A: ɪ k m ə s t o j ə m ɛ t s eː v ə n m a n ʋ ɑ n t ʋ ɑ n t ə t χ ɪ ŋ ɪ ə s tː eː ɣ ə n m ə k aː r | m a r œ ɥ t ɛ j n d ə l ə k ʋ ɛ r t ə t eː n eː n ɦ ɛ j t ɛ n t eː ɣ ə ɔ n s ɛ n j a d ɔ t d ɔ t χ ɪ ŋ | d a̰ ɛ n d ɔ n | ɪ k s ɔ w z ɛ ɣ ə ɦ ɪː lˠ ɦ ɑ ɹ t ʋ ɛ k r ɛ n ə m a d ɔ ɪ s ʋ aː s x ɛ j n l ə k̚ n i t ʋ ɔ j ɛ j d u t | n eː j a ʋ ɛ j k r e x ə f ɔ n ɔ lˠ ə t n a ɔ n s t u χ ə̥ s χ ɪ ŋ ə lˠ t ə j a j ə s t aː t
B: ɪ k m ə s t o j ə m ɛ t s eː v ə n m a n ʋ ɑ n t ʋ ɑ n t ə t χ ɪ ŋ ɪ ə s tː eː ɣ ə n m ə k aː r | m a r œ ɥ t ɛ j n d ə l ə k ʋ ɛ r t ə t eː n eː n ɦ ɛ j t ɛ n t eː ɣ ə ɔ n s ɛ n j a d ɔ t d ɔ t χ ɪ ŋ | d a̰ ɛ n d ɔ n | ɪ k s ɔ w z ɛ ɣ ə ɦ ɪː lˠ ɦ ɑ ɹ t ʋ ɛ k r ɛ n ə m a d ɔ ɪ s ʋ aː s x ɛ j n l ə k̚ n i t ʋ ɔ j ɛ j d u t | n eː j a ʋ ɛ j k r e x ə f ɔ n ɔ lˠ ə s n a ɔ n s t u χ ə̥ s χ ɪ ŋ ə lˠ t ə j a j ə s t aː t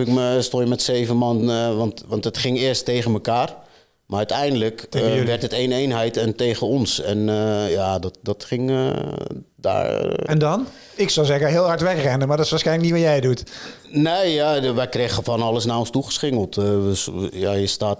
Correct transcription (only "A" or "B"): B